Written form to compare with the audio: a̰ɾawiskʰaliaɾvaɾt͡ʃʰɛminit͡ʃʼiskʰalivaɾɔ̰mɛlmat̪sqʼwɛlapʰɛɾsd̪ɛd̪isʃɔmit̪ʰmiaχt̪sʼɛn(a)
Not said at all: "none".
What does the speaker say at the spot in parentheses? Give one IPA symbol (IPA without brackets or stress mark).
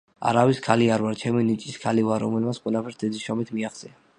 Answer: a